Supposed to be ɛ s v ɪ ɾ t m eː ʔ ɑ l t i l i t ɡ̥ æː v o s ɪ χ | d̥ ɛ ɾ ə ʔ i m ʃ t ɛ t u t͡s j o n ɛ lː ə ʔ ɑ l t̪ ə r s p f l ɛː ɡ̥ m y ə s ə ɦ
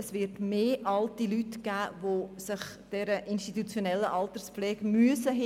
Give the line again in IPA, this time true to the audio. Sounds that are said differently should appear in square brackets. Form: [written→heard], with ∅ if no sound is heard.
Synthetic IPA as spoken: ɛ s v ɪ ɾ t m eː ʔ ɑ l t i l [i→y] t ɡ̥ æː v o s ɪ χ | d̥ ɛ ɾ ə ʔ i [m→n] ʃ t [ɛ→i] t u t͡s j o n ɛ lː ə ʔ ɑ l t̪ ə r s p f l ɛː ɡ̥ m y ə s ə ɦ